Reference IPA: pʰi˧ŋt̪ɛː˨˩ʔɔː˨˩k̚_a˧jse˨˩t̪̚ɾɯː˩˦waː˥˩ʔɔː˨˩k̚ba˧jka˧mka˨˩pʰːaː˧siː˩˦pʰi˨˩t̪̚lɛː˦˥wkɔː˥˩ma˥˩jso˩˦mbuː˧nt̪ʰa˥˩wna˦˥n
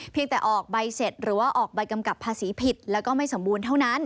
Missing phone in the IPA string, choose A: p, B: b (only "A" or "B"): B